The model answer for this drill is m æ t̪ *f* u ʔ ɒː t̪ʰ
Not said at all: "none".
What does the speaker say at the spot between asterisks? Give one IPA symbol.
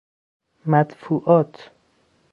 f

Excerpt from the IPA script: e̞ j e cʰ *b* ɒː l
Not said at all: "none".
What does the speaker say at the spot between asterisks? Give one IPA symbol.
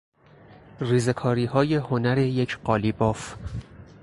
ɢ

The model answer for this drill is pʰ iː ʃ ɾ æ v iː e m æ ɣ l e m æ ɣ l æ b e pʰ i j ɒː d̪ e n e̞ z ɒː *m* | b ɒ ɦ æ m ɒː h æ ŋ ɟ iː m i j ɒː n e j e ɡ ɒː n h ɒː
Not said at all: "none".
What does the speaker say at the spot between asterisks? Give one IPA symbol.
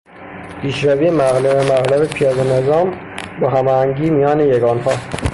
m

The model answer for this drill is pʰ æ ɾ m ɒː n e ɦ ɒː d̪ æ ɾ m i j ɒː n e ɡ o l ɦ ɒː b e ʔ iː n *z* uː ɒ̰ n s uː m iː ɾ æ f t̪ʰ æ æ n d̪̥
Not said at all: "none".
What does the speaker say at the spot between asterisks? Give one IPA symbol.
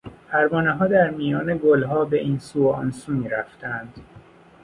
s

